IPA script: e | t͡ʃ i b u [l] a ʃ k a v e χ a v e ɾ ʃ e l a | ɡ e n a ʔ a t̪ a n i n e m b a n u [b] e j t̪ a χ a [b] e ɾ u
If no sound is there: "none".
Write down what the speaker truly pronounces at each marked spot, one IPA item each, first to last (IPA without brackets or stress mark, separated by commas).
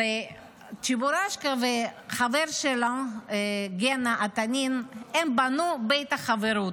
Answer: ɾ, b, v